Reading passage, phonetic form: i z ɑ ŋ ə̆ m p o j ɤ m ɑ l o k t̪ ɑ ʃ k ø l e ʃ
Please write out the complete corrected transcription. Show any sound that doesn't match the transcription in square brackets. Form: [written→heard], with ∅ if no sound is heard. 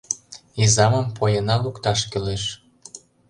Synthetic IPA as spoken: i z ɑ [ŋ→m] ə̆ m p o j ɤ [m→n] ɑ l [o→u] k t̪ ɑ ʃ k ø l e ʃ